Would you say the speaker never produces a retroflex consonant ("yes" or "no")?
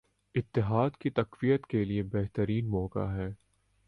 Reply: yes